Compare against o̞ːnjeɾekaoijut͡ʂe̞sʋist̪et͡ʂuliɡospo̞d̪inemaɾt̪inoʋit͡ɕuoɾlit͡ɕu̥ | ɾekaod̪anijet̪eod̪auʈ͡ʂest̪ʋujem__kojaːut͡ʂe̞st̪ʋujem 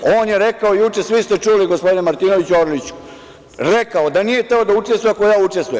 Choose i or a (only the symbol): a